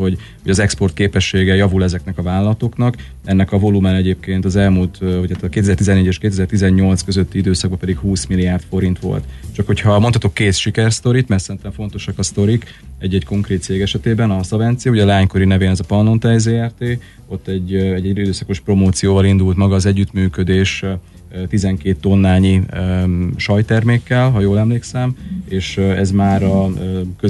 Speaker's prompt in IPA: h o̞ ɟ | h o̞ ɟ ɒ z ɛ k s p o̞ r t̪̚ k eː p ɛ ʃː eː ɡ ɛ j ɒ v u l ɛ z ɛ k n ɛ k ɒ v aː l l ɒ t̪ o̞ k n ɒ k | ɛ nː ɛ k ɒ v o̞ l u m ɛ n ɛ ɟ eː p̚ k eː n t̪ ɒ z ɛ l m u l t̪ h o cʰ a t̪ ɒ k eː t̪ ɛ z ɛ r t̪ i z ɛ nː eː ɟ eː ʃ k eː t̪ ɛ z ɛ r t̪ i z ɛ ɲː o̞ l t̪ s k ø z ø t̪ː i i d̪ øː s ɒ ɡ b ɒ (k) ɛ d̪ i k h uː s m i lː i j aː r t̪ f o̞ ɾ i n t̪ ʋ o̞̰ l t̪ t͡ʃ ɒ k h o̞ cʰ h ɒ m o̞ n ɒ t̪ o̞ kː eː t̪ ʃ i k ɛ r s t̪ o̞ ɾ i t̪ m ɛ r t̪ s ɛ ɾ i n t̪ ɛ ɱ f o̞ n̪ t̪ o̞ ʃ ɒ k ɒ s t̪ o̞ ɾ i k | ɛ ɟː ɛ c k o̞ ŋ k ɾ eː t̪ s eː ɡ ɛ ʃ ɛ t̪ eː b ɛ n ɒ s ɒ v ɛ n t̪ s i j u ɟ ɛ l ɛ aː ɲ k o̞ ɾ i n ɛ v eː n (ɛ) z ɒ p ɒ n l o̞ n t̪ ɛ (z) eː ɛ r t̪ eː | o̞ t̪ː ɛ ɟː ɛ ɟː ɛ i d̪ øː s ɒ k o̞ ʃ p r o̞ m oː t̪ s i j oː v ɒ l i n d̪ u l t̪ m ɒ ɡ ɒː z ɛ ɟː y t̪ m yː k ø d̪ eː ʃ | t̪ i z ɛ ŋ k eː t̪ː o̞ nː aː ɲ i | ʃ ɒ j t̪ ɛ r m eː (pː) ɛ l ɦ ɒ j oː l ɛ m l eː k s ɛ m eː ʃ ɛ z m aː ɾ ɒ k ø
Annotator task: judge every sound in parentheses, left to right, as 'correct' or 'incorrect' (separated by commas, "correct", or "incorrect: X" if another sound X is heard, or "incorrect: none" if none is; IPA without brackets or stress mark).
incorrect: p, correct, correct, incorrect: kː